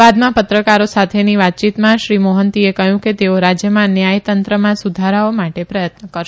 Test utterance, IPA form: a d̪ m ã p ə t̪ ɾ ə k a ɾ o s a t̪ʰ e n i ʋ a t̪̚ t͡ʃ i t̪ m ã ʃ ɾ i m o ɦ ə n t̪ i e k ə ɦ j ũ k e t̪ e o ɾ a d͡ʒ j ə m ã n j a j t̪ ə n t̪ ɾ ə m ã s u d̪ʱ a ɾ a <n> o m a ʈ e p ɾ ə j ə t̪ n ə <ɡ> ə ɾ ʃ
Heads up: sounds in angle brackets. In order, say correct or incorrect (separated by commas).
incorrect, incorrect